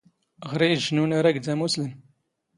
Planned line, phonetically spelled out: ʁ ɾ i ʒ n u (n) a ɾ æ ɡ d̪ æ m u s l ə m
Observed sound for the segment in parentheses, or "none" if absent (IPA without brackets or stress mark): n